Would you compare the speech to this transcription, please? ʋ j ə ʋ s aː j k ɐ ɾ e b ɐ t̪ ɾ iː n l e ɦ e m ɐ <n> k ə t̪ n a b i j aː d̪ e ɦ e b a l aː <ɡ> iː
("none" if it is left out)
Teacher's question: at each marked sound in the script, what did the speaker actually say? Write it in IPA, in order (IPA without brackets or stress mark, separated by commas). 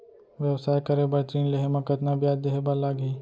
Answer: none, ɡ